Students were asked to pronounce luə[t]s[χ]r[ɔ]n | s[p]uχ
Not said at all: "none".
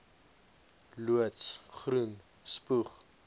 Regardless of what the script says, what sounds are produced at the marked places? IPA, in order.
t, χ, u, p

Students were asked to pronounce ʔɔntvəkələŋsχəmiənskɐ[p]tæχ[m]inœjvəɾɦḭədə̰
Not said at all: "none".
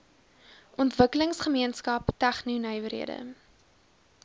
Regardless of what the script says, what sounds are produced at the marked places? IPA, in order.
p, n

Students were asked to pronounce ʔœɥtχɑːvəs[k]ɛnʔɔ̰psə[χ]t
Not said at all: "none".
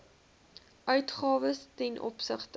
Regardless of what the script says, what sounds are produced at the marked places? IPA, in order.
t, χ

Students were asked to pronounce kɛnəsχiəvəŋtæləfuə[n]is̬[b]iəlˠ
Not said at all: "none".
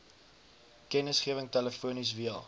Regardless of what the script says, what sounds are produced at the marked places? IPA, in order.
n, v

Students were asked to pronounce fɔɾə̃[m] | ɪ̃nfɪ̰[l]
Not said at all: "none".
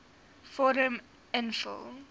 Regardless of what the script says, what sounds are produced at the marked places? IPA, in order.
m, l

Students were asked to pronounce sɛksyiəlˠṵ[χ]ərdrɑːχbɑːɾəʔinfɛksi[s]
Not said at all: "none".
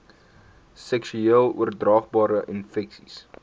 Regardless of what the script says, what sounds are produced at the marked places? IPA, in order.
none, s

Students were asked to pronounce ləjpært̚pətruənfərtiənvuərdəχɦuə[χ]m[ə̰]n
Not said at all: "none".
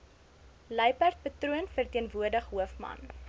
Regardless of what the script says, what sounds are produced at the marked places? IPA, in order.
f, ɐ̰

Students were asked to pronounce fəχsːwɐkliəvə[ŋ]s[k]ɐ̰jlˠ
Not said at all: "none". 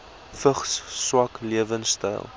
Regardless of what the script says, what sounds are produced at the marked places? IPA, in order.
n, t

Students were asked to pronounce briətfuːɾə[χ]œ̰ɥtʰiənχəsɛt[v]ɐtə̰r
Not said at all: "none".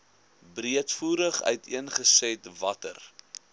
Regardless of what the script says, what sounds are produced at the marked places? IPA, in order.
χ, v

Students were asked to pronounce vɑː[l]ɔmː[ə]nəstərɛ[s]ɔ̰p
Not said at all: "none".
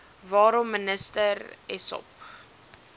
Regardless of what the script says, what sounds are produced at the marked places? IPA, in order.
ɾ, ə, s

